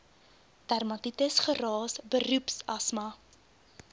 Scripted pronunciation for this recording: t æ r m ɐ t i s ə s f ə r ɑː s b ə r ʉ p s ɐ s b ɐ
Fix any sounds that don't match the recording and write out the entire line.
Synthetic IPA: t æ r m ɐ t i t ə s χ ə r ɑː s b ə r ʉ p s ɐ s m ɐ